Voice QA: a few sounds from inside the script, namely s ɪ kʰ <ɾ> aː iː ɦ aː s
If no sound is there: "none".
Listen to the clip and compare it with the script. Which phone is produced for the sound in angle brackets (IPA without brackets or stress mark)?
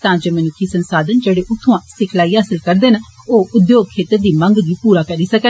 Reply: l